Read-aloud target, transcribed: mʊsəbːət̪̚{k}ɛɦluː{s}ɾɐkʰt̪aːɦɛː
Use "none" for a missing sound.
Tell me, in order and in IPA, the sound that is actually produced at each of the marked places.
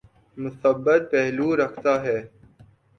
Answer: p, none

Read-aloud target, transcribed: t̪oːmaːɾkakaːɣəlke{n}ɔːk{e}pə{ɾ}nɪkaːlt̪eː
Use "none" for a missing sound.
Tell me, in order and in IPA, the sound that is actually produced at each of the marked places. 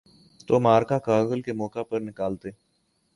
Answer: m, a, ɾ

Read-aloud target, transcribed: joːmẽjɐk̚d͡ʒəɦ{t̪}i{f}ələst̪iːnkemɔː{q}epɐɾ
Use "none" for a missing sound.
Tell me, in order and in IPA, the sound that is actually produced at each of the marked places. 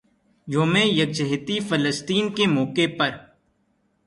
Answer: t̪, f, k

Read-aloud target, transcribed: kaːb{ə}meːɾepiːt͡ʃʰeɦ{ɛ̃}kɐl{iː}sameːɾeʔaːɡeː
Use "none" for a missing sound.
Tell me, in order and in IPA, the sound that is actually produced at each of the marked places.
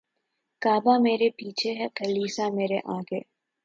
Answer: a, ɛ, iː

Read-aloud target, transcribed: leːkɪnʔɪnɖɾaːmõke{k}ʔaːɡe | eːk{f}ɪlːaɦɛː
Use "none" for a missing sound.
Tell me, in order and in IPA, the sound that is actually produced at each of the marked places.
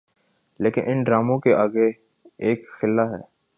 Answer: none, x

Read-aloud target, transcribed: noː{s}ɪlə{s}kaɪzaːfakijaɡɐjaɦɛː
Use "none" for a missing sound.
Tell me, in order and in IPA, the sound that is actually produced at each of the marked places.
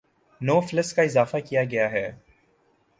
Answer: f, s

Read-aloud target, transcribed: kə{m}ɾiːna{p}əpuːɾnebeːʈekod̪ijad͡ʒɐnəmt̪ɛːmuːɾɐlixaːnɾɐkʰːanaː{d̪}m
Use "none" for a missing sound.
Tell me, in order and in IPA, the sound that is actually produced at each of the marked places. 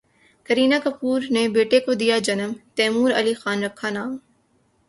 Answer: none, k, none

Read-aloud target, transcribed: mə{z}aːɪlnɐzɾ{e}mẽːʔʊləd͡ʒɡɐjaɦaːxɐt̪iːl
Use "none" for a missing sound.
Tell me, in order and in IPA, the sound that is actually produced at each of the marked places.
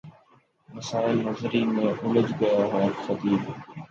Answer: s, i

